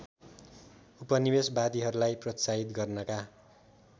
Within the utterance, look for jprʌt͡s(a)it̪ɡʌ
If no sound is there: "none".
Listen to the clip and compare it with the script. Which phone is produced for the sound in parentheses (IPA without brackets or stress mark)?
a